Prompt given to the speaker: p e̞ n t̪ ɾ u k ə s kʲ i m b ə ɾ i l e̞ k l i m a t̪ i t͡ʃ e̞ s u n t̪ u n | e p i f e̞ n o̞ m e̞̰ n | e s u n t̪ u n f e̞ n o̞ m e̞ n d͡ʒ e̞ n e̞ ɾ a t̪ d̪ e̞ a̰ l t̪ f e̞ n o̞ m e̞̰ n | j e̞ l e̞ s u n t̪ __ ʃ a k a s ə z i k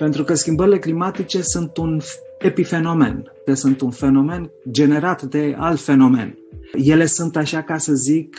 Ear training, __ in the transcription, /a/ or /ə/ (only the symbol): a